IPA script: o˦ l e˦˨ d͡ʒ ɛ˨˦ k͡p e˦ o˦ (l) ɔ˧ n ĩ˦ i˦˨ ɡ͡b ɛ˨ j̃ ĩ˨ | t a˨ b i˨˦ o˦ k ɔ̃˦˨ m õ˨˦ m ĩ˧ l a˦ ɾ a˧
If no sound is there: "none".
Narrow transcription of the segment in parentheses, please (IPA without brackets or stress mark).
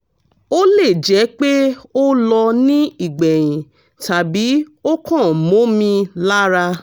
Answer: l